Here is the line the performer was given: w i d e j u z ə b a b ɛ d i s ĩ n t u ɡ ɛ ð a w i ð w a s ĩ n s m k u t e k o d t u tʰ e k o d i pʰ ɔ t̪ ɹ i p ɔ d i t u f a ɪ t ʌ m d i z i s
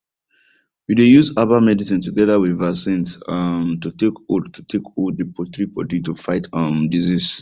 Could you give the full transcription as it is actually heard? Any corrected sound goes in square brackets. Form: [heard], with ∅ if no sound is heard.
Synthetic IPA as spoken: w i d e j u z [a] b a [m] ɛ d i s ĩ n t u ɡ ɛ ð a w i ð [v] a s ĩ n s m [t] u t e k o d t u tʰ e k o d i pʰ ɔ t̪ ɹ i p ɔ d i t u f a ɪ t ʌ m d i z i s